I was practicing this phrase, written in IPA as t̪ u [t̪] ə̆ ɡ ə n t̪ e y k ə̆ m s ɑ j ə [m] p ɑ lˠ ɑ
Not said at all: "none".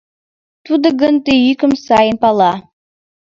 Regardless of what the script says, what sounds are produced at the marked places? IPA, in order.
d̪, n

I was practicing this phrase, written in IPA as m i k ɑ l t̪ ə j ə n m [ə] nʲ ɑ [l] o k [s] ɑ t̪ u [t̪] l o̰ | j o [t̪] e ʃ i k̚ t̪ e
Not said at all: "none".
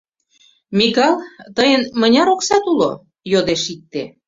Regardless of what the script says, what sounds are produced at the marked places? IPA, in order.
ə, ɾ, s, none, d̪

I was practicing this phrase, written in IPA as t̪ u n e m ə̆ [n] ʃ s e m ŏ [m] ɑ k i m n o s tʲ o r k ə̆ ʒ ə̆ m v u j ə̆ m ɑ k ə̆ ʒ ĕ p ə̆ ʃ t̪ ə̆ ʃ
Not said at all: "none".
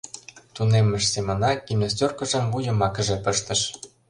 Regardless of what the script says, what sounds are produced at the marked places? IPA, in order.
none, n

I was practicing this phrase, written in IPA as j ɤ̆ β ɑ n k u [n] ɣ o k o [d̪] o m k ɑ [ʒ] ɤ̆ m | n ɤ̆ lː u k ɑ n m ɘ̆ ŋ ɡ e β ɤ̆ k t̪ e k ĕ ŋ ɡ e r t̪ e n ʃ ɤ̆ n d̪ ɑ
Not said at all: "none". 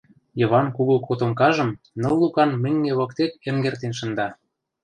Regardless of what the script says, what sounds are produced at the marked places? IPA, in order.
none, t̪, ʒ

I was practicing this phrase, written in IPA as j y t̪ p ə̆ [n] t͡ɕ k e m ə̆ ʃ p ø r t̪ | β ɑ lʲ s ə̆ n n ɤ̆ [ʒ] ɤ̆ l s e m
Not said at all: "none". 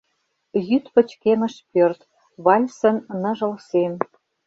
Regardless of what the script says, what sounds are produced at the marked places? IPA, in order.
none, ʒ

